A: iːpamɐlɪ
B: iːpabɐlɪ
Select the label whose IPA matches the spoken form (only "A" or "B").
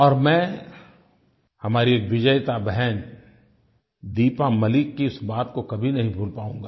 A